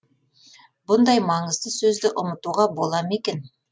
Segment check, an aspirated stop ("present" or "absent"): absent